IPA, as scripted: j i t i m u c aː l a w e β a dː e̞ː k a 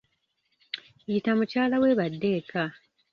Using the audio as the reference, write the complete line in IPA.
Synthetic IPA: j i t a m u c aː l a w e β a dː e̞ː k a